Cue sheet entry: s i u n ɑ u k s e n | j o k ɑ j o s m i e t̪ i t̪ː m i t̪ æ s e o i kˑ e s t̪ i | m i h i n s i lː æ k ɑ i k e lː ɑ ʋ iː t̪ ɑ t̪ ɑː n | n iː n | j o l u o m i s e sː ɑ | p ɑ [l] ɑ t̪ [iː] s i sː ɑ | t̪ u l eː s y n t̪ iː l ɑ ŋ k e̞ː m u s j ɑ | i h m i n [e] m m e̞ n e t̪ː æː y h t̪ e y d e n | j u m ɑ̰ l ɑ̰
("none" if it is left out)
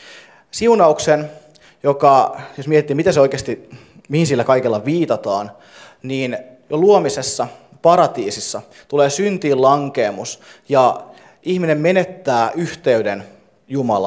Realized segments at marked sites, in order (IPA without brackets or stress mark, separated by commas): ɾ, iː, e